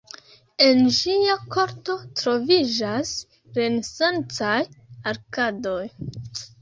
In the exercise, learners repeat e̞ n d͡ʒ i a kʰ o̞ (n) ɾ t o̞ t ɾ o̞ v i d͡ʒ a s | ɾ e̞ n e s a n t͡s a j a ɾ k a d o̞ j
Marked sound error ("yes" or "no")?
yes